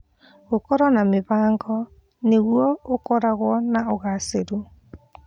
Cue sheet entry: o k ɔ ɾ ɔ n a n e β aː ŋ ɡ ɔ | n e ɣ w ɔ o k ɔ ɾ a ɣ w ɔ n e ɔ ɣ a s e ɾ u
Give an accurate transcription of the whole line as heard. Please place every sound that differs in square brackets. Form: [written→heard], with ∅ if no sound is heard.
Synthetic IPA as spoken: o k ɔ ɾ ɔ n a [n→m] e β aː ŋ ɡ ɔ | n e ɣ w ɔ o k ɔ ɾ a ɣ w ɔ n [e→a] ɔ ɣ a s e ɾ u